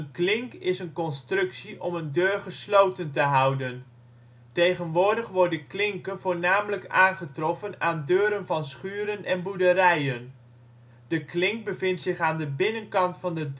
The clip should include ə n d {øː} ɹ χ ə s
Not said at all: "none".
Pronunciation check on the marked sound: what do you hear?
øː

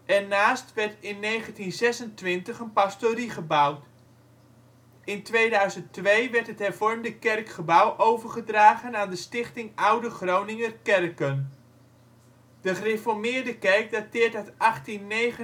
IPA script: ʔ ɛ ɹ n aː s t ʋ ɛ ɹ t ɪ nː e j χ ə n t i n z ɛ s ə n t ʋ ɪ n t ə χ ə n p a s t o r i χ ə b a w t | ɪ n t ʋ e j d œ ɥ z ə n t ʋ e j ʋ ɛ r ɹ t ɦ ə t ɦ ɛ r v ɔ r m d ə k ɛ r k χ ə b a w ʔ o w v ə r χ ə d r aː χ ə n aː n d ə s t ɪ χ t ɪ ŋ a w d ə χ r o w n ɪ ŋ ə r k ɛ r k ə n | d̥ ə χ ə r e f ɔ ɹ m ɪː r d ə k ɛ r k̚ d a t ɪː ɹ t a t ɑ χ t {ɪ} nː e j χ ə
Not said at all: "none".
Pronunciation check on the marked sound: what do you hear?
i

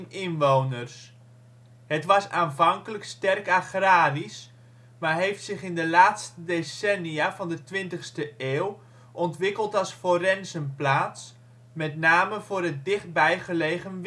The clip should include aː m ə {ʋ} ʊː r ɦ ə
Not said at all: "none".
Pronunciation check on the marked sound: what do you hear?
v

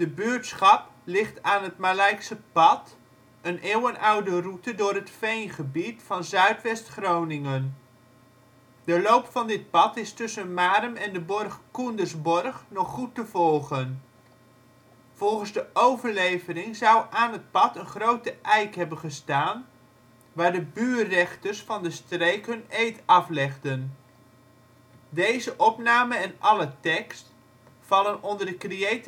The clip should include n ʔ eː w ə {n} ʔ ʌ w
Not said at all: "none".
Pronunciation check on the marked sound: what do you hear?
n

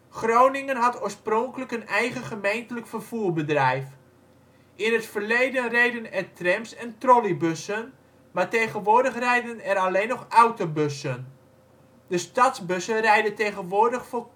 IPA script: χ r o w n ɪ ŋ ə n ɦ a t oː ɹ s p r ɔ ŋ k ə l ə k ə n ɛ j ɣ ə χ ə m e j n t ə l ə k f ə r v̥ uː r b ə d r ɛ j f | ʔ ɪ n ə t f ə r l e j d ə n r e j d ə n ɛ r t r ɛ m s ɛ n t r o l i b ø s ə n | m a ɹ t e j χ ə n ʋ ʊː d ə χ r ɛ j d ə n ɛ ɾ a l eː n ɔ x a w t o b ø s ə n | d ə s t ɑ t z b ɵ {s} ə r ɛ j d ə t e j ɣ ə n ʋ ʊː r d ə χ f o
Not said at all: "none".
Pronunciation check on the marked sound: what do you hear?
s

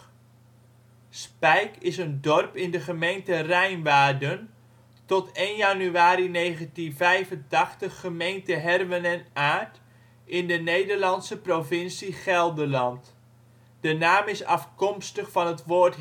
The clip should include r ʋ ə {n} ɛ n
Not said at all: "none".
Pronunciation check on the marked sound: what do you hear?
n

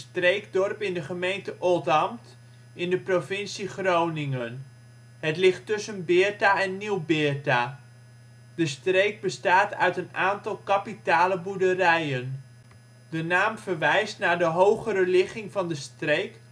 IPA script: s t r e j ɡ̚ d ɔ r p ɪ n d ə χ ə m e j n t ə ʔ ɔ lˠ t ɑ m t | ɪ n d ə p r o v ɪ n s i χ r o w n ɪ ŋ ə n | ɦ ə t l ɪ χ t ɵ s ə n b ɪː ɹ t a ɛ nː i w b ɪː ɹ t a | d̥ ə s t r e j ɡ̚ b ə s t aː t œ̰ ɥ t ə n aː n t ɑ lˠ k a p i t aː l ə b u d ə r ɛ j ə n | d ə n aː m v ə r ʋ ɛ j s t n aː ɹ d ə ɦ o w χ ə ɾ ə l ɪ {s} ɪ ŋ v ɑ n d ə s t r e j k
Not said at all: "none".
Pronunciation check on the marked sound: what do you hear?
χ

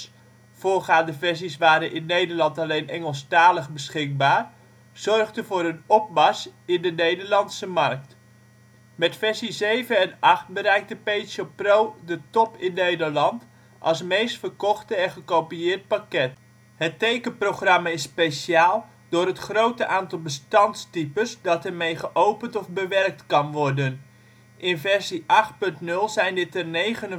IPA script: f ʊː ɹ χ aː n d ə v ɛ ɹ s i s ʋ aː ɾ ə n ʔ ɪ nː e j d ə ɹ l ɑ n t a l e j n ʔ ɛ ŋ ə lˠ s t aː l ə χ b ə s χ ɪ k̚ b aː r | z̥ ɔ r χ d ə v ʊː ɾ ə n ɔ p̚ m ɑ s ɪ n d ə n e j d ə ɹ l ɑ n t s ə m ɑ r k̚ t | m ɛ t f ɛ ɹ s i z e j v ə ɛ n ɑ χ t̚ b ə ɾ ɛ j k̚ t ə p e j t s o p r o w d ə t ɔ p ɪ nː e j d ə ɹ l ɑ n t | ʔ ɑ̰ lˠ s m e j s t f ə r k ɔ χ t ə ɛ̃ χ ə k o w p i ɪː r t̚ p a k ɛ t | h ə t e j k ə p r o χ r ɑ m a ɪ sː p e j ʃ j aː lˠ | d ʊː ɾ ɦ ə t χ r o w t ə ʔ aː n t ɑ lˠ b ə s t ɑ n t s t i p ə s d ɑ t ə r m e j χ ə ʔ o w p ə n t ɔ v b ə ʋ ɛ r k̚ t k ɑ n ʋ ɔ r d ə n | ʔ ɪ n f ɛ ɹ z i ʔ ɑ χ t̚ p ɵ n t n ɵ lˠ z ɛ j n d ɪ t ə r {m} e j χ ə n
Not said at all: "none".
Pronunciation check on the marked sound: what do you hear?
n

